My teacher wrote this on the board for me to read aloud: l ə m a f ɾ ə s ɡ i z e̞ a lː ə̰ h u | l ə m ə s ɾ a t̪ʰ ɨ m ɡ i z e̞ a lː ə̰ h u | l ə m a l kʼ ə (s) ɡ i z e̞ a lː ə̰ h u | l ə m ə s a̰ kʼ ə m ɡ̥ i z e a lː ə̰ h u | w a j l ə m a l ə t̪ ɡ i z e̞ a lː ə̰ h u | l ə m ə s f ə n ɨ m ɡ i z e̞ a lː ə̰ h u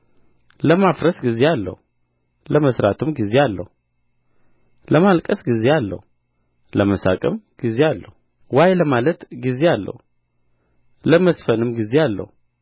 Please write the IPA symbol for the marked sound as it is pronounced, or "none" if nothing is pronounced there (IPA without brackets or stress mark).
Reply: s